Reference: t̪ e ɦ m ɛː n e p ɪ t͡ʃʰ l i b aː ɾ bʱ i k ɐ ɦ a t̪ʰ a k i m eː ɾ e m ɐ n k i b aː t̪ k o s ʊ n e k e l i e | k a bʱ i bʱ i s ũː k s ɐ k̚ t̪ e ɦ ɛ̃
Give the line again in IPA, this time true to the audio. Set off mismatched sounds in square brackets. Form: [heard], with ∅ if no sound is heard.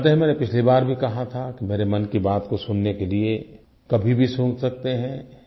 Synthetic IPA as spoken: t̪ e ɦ m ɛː n e p ɪ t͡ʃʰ l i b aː ɾ bʱ i k ɐ ɦ a t̪ʰ a k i m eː ɾ e m ɐ n k i b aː t̪ k o s ʊ [nː] e k e l i e | k [ɐ] bʱ i bʱ i s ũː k s ɐ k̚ t̪ e ɦ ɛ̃